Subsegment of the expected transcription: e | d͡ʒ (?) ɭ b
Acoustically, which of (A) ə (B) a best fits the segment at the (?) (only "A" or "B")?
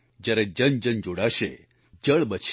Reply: A